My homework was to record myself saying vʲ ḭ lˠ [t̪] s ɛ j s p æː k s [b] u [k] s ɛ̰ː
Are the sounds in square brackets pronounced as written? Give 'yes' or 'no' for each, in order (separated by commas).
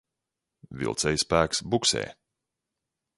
yes, yes, yes